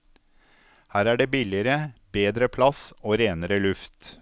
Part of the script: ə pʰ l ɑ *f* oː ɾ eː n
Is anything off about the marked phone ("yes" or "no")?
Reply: yes